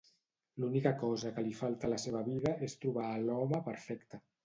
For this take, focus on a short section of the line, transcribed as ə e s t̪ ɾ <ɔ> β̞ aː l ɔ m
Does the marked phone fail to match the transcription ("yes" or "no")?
yes